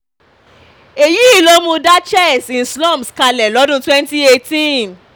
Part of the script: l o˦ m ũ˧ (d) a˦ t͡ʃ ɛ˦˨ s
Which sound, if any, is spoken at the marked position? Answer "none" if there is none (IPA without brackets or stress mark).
d